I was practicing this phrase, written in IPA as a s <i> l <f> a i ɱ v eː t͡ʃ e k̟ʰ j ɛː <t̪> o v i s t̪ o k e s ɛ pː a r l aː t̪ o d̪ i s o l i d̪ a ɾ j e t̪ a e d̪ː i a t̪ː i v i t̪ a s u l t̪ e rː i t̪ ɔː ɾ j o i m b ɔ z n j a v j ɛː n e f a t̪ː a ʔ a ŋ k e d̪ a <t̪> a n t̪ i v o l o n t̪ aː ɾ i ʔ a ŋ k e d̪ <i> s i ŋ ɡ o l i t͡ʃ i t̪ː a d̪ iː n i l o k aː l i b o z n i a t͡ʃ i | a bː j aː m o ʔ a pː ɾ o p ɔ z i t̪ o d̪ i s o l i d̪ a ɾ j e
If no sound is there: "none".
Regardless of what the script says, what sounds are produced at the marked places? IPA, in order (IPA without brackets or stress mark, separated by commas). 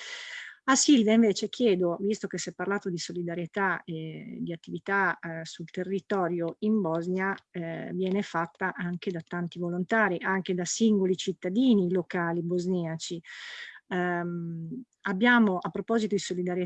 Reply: i, v, d̪, t̪, a